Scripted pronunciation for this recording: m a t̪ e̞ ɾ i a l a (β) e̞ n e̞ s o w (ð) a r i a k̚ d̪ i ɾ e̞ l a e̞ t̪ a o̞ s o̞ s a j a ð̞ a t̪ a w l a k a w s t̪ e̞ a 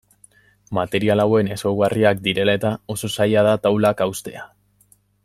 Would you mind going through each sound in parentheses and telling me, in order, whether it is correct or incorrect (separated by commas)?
incorrect, incorrect